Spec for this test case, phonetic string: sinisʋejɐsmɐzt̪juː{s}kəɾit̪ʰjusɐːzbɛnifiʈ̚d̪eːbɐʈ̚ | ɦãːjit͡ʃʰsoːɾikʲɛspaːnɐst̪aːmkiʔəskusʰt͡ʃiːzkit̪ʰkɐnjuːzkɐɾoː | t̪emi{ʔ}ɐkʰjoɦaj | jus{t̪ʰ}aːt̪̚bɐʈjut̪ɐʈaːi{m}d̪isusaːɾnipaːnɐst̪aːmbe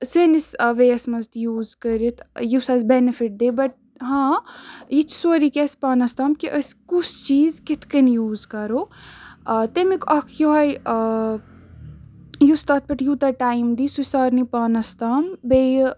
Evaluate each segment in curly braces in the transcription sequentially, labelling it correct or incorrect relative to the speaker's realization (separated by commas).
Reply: incorrect, incorrect, incorrect, correct